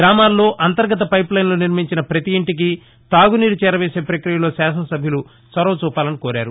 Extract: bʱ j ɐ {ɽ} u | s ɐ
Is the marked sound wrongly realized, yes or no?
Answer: yes